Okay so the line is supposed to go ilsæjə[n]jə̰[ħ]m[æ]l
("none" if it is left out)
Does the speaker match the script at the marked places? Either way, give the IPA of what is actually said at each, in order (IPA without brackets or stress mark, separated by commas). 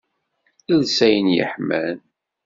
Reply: n, ħ, æ